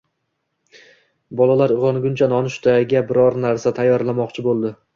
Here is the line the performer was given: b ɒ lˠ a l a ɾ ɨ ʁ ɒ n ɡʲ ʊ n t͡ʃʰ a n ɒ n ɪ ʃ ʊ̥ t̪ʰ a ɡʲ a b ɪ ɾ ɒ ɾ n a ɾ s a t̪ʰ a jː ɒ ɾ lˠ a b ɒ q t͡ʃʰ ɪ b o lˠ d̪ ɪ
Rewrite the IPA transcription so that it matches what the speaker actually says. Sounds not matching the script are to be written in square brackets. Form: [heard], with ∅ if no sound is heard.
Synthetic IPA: b ɒ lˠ a l a ɾ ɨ ʁ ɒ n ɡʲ ʊ n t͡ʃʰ a n ɒ n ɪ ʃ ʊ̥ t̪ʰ a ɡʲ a b ɪ ɾ ɒ ɾ n a ɾ s a t̪ʰ a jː ɒ ɾ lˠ a [m] ɒ q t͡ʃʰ ɪ b o lˠ d̪ ɪ